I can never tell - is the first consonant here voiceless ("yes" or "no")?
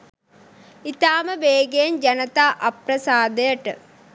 yes